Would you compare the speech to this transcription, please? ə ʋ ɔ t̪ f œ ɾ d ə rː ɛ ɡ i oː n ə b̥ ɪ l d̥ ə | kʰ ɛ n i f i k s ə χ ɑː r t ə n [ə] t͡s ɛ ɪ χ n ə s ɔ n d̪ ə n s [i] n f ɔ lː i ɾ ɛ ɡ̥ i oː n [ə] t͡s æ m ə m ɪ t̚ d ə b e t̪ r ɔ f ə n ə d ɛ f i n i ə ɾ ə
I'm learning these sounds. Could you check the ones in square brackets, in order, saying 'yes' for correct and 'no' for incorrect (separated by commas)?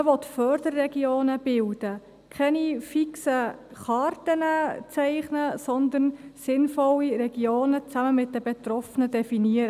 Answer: yes, no, yes